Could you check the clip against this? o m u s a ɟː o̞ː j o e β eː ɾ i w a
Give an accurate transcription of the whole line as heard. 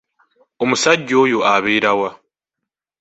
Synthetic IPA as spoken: o m u s a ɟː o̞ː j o a β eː ɾ a w a